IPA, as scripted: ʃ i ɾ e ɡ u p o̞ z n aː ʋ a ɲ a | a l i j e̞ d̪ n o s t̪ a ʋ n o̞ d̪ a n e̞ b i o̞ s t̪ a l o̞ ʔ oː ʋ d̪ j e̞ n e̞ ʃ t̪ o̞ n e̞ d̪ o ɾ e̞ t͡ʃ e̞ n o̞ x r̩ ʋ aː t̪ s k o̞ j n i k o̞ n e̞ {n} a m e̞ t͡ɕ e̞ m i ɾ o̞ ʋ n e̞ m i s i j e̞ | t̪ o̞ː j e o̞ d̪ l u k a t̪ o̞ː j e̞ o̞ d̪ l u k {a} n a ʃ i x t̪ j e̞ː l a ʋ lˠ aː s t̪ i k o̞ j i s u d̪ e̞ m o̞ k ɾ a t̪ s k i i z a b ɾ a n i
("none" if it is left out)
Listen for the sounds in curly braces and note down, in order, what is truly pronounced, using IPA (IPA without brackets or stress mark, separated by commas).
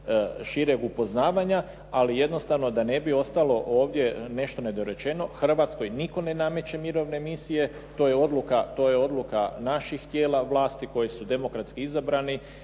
n, a